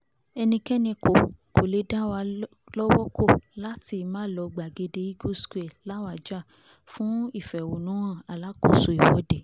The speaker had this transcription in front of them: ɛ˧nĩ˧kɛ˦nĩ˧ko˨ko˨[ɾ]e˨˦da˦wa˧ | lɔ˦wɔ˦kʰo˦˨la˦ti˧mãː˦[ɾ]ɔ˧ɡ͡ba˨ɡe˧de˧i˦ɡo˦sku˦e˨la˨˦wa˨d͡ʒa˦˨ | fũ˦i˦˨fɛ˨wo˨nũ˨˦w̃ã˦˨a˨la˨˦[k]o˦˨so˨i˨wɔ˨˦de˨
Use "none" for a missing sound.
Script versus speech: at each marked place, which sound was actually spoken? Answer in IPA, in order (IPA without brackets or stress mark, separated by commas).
l, l, k